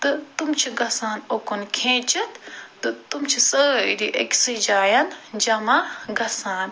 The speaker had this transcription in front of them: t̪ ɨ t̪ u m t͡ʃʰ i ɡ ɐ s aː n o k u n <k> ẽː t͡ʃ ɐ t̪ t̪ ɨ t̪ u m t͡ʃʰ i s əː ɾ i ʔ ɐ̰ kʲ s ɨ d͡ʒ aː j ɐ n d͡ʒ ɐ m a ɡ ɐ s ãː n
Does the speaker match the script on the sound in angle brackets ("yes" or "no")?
no